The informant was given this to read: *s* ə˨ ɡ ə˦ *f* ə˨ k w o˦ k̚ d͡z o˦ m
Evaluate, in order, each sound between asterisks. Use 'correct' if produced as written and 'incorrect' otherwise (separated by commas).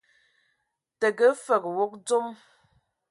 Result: incorrect, correct